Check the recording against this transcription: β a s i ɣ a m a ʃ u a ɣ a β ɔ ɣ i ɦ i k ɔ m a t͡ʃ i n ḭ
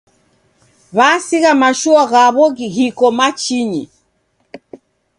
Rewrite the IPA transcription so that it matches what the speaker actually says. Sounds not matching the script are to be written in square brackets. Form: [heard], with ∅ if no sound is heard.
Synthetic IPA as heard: β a s i ɣ a m a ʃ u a ɣ a β ɔ ɣ i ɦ i k ɔ m a t͡ʃ i [ɲ] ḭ